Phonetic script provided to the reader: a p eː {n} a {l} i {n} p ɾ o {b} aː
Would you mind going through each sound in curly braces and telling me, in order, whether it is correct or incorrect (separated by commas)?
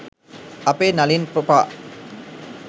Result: correct, correct, correct, incorrect